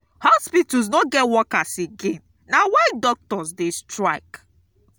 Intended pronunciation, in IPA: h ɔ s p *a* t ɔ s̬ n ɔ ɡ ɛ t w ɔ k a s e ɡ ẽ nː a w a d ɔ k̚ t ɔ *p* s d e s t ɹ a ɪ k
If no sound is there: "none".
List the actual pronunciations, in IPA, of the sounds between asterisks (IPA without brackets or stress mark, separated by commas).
i, none